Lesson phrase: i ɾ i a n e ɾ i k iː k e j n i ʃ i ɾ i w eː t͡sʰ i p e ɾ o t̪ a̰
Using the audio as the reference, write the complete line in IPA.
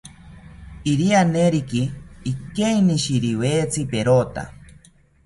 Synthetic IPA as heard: i ɾ i a n e ɾ i k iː k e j n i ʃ i ɾ i w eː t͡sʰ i p e ɾ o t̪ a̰